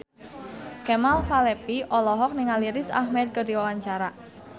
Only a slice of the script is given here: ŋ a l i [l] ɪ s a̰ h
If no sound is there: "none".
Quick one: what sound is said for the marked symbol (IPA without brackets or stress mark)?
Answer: ɾ